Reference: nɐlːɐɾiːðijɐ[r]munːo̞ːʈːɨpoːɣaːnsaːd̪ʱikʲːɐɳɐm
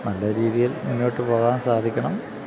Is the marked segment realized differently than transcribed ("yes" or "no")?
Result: yes